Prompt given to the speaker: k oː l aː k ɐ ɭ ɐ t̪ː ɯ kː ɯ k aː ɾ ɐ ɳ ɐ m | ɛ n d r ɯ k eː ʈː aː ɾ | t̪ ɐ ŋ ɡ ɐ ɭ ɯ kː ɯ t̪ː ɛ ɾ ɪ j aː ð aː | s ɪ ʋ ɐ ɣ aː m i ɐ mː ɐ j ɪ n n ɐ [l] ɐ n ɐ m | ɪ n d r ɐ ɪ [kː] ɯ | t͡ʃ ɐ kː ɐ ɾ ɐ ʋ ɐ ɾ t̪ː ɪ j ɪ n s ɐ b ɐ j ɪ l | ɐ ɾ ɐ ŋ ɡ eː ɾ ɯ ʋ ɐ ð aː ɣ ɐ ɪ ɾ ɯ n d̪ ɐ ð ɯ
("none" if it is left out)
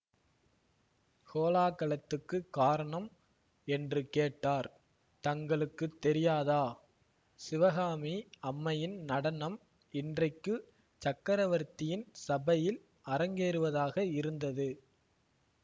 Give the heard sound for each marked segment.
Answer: ɽ, kː

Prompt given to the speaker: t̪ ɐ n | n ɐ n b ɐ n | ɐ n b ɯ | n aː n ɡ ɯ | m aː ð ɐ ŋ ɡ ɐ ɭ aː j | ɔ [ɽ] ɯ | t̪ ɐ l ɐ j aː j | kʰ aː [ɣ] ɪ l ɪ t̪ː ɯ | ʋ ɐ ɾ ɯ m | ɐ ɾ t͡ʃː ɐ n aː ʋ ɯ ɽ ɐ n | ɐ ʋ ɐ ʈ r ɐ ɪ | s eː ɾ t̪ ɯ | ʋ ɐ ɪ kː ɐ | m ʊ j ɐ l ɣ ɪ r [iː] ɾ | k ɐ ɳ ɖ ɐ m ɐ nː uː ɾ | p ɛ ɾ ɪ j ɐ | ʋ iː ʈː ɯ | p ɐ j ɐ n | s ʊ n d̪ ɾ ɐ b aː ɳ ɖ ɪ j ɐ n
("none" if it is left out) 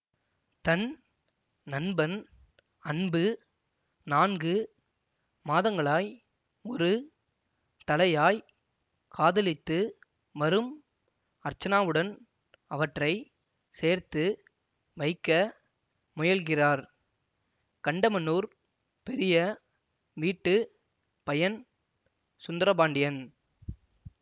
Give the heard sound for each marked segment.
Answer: ɾ, ð, aː

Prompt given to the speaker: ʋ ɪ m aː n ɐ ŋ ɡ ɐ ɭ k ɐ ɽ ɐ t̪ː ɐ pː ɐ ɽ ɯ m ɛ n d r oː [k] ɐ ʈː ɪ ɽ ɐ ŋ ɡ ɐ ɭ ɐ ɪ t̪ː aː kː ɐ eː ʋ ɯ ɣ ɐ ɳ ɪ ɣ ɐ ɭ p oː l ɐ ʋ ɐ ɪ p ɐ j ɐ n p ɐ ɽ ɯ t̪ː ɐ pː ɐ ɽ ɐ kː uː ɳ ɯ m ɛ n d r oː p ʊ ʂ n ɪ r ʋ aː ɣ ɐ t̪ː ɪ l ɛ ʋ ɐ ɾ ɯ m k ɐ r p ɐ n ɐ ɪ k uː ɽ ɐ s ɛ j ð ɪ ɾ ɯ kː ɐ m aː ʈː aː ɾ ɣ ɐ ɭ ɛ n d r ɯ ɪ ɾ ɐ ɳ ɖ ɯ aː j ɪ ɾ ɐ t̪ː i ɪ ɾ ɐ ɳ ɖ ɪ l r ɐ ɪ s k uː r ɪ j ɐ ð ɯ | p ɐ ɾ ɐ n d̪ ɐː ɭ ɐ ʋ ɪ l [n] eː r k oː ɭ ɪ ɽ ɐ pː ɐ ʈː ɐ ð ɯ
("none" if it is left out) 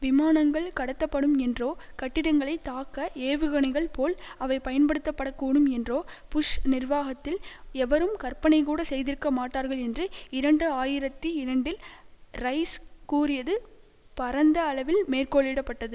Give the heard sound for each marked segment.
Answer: k, m

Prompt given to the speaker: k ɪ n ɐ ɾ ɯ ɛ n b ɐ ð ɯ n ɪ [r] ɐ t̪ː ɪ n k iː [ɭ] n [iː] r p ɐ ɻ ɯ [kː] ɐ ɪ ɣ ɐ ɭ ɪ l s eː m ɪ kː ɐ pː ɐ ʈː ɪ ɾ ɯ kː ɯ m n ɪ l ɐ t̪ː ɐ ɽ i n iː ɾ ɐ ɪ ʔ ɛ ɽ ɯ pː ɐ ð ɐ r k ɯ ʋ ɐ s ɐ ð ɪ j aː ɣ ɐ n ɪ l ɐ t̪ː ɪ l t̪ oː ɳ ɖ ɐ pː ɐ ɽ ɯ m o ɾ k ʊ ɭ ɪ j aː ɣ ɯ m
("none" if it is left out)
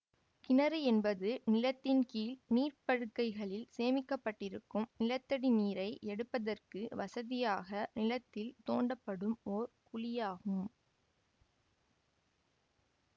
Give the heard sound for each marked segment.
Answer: l, l, iː, kː

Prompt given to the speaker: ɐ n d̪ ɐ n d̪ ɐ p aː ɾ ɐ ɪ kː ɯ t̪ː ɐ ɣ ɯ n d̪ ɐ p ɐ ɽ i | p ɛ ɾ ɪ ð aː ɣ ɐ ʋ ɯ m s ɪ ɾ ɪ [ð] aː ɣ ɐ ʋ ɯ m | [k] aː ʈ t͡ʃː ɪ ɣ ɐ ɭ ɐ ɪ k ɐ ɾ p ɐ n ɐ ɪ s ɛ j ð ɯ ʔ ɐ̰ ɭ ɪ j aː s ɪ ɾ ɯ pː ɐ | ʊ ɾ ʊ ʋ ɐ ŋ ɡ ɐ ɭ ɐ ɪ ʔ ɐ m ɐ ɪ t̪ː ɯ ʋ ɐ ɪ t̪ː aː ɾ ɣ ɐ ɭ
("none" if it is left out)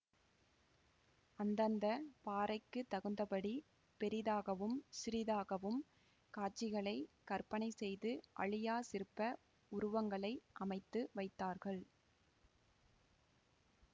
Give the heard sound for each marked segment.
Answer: ð, k

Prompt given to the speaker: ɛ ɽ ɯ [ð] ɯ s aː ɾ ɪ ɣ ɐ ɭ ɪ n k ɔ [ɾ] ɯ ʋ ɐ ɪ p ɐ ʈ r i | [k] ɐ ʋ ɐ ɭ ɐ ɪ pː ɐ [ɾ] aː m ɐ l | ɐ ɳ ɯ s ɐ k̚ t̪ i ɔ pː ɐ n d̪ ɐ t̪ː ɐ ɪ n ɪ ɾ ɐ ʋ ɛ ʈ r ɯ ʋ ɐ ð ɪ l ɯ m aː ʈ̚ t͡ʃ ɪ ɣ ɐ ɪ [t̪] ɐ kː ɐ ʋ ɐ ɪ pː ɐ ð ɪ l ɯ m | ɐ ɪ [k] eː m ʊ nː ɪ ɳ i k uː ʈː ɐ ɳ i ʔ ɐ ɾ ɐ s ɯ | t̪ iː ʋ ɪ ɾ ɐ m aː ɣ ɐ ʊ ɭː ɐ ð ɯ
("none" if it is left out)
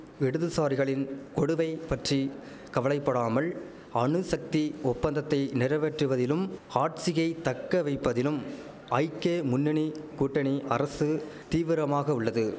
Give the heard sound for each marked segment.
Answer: ð, ɽ, k, ɽ, t̪, k

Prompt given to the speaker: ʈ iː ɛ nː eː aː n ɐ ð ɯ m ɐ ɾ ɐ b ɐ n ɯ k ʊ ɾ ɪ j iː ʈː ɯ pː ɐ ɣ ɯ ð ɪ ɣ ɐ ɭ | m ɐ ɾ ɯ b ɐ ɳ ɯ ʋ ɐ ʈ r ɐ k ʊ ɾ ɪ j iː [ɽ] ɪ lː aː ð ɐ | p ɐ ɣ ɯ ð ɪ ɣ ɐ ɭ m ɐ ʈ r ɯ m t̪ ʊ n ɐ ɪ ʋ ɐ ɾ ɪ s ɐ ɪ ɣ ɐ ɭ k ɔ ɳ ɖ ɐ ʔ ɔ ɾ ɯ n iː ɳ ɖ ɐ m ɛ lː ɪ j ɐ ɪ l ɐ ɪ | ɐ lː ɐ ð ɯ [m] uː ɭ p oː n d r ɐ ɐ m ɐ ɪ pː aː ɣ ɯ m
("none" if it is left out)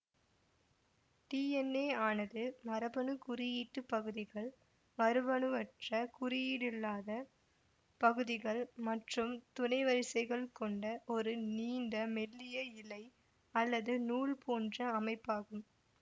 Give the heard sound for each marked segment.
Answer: ɽ, n

